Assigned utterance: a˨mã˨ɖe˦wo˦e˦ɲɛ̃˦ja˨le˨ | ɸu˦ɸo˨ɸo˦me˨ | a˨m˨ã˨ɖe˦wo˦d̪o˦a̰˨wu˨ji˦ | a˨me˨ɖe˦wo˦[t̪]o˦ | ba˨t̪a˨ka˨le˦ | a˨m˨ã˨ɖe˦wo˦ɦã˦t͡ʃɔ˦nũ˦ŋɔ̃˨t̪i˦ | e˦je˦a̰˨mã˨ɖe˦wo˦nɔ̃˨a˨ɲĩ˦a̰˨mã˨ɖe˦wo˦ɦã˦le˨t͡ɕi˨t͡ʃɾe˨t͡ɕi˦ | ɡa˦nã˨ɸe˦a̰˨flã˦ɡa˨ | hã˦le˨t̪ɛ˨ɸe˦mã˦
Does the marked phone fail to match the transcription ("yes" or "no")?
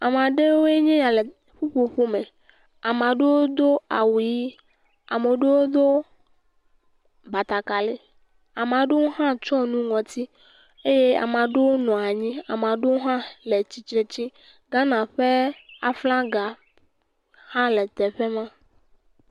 yes